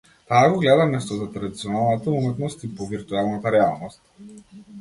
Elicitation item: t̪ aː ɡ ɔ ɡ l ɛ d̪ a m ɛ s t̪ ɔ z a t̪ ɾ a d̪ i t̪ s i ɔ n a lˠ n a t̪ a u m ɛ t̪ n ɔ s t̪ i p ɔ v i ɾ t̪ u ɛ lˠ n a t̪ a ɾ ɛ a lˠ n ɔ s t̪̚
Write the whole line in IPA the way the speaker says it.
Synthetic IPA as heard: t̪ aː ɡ ɔ ɡ l ɛ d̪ a m ɛ s t̪ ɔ z a t̪ ɾ a d̪ i t̪ s i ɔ n a lˠ n a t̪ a u m ɛ t̪ n ɔ s t̪ i p ɔ v i ɾ t̪ u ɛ lˠ n a t̪ a ɾ ɛ a lˠ n ɔ s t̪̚